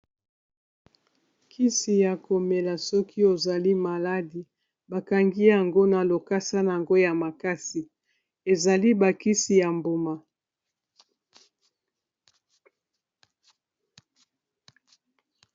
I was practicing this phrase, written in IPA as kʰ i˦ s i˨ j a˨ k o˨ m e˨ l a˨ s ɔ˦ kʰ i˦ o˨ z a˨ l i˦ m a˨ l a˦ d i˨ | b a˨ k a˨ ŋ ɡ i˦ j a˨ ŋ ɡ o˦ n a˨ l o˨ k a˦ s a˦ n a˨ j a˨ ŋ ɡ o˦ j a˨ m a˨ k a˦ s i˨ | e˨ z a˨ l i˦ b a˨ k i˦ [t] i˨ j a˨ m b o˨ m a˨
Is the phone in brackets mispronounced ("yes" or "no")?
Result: yes